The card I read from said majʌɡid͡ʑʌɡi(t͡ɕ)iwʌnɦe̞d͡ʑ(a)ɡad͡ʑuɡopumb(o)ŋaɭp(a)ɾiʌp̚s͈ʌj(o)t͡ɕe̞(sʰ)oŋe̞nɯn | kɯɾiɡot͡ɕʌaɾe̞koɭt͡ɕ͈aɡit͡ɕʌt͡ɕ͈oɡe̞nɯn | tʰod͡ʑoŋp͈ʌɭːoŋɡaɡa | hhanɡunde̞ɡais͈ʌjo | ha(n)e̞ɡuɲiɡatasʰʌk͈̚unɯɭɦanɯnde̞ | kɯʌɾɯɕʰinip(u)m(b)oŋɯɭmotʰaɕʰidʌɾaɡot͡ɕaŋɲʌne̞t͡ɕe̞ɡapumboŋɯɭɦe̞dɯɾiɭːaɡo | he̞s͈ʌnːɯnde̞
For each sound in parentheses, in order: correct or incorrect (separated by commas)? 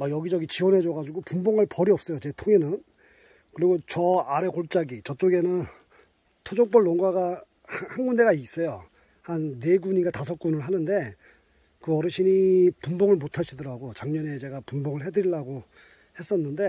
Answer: correct, incorrect, correct, incorrect, correct, incorrect, incorrect, correct, correct